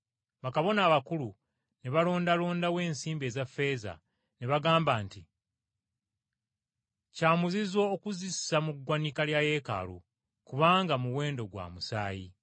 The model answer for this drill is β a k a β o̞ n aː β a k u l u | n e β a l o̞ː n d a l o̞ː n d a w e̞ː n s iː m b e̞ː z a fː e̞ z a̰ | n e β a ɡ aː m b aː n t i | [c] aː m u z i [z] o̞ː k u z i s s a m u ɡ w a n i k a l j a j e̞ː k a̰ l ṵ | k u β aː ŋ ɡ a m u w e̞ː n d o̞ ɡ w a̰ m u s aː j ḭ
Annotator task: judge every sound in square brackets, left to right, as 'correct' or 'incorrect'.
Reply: correct, correct

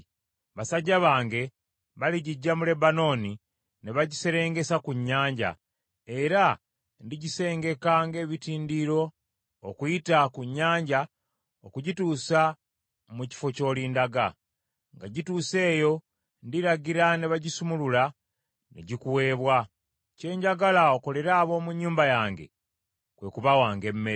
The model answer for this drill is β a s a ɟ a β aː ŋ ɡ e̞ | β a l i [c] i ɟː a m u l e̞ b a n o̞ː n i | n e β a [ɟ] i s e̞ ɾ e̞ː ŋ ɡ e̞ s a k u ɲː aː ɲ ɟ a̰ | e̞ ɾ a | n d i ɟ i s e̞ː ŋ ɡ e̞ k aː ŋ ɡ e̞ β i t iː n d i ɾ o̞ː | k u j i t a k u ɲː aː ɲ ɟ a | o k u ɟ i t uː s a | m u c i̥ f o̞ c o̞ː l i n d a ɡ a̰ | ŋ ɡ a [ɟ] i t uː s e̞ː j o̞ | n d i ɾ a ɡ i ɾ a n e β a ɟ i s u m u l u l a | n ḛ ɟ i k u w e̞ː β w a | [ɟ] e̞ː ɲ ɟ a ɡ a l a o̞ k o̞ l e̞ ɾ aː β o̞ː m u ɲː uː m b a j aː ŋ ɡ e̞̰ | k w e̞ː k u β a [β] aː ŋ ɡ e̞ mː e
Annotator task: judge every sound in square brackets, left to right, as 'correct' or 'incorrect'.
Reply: incorrect: ɟ, correct, correct, incorrect: c, incorrect: w

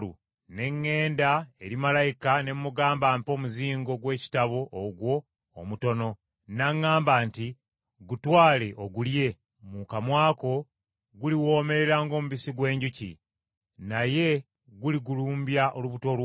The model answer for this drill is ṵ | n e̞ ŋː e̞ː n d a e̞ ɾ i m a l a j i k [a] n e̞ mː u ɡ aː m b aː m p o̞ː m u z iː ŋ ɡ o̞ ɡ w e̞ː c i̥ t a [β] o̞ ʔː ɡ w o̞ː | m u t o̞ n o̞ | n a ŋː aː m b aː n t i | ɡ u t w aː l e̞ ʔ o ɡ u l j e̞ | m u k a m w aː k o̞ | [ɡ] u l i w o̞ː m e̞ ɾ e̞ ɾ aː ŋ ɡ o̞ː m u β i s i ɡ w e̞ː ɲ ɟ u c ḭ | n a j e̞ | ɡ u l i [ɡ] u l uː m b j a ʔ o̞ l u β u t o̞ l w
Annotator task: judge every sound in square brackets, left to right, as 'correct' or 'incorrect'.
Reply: correct, correct, correct, correct

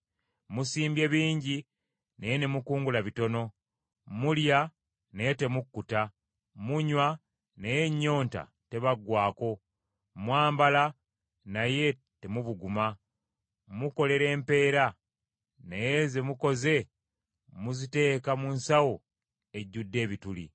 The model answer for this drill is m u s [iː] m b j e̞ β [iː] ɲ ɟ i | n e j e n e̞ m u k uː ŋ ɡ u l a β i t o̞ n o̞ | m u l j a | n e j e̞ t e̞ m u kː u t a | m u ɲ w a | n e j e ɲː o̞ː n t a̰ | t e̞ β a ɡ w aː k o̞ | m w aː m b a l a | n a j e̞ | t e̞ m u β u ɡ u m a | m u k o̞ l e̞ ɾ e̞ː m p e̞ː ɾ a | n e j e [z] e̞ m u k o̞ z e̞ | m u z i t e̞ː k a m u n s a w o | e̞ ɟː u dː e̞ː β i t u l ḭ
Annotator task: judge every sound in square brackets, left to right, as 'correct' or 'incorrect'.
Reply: correct, correct, correct

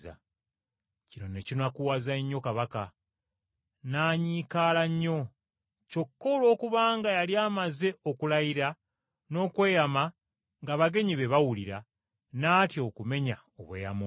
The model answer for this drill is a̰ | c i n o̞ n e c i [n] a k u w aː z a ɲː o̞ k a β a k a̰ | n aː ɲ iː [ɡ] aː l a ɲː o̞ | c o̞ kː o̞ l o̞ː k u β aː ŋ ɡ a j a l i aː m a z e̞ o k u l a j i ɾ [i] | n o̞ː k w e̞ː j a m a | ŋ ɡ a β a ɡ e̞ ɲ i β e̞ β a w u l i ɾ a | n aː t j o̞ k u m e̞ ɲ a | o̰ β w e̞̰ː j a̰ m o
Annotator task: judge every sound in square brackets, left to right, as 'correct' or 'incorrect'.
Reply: correct, incorrect: k, incorrect: a

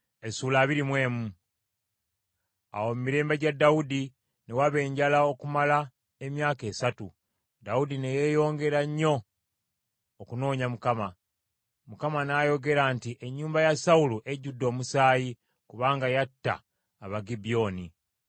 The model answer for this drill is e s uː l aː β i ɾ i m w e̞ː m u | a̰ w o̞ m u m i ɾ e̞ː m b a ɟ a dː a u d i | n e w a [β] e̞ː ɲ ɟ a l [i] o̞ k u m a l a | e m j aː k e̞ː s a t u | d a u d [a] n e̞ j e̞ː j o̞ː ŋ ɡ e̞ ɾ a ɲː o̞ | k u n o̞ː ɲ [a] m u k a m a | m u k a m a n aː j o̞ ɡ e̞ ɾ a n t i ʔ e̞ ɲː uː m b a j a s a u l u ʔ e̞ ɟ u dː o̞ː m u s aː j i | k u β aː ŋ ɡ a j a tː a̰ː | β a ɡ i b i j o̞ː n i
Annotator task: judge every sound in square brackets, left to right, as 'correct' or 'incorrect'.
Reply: correct, incorrect: a, incorrect: i, correct

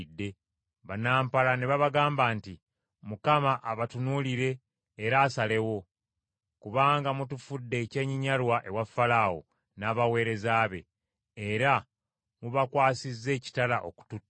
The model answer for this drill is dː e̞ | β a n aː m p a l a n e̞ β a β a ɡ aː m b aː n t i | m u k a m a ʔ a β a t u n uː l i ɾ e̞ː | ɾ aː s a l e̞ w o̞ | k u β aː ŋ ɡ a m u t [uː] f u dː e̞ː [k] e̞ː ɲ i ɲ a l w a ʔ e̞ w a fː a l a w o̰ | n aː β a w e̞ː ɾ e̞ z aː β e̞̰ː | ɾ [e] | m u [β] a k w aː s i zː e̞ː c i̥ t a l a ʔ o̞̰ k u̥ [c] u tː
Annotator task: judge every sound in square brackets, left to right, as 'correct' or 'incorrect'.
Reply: incorrect: u, incorrect: c, incorrect: a, correct, incorrect: t

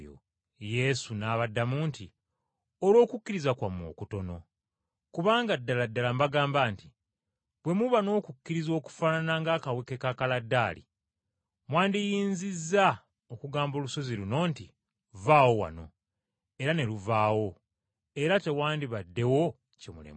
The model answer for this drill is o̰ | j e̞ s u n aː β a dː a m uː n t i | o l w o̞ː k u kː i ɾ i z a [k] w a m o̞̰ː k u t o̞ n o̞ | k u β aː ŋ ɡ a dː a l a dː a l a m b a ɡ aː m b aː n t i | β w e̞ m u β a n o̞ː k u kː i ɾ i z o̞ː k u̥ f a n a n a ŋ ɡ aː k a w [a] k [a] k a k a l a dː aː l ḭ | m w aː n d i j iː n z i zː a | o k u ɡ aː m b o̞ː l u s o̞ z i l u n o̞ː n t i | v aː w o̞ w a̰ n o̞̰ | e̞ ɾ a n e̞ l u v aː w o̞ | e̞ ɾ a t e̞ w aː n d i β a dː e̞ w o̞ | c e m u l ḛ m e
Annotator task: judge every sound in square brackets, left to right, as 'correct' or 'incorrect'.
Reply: correct, incorrect: e, incorrect: e

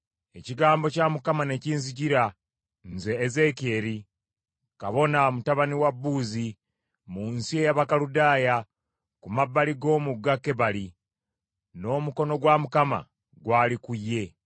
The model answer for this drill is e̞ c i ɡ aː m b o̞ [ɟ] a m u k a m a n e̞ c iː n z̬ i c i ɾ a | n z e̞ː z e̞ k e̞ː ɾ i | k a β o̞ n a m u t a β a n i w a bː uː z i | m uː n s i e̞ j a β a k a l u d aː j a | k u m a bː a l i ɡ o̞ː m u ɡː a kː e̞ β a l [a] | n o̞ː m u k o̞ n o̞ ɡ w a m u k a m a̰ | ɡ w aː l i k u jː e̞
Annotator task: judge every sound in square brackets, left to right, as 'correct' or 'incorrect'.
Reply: incorrect: c, incorrect: i

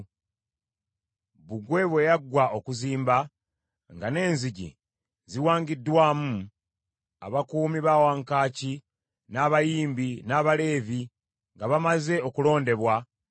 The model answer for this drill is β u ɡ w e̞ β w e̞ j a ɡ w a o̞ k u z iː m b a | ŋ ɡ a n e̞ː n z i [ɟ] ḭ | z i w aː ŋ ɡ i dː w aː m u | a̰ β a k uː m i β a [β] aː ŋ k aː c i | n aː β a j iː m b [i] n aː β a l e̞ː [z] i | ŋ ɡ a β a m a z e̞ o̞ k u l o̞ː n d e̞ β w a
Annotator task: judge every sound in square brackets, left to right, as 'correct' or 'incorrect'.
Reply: correct, incorrect: w, correct, incorrect: v

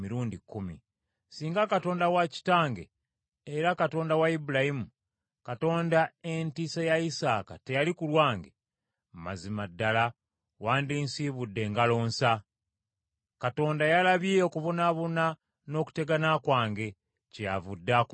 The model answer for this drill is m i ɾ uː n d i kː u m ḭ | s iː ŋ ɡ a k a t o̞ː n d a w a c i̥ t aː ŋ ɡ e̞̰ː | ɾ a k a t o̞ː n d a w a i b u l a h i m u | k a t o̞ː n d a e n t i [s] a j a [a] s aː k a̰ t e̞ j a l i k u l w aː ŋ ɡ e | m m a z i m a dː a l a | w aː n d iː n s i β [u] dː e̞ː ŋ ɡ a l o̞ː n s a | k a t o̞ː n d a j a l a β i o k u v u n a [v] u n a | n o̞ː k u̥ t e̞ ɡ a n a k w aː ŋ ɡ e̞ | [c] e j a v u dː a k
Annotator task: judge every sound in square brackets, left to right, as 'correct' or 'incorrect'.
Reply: correct, incorrect: i, correct, incorrect: β, correct

